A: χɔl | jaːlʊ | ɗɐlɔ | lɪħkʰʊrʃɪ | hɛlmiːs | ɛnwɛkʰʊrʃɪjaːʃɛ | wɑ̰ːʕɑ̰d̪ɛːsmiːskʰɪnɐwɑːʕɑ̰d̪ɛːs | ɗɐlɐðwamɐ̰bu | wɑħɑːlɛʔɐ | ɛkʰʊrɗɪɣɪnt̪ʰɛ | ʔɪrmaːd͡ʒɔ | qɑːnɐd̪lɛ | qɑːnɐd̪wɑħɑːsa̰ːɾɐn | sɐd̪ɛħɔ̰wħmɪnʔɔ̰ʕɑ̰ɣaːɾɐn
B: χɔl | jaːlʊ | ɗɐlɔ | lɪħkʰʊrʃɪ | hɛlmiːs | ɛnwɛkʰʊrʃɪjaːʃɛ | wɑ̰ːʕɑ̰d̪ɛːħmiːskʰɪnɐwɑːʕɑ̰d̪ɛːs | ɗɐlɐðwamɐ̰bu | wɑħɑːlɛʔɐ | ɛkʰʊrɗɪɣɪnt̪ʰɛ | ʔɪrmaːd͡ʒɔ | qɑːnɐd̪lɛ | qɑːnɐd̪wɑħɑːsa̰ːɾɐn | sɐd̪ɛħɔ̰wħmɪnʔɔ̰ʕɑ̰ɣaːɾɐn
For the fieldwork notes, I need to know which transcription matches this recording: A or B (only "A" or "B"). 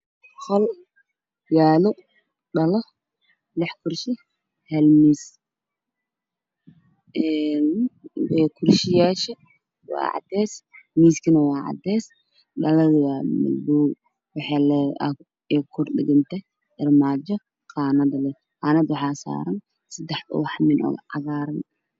A